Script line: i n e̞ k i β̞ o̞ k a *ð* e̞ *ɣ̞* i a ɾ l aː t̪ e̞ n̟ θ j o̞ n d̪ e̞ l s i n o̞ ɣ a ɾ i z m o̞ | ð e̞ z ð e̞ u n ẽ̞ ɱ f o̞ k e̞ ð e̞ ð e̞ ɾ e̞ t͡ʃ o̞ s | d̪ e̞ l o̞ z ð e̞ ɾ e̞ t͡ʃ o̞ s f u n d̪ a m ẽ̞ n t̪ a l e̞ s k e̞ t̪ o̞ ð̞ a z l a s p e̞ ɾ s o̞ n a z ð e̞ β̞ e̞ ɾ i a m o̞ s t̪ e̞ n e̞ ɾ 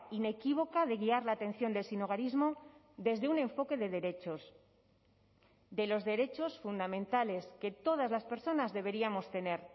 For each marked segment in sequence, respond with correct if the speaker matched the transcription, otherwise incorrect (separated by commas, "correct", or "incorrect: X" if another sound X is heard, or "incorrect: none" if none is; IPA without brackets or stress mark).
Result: correct, correct